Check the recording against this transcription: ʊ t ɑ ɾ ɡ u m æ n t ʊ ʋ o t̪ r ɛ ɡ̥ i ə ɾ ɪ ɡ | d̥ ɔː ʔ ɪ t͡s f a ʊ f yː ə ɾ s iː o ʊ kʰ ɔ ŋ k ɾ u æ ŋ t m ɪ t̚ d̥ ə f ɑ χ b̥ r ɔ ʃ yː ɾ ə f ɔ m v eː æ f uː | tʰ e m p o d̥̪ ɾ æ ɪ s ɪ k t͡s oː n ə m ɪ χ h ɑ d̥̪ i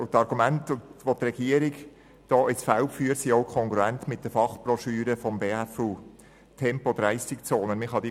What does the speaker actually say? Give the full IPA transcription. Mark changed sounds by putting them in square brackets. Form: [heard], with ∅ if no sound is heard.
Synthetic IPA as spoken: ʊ t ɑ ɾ ɡ u m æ n t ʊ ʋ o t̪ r ɛ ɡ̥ i ə ɾ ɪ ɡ | d̥ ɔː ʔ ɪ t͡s f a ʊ f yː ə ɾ s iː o ʊ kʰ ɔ ŋ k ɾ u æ [n] t m ɪ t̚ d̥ ə f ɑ χ b̥ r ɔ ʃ yː ɾ ə f ɔ m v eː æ f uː | tʰ [ɛ] m p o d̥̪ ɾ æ ɪ s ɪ k t͡s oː n ə m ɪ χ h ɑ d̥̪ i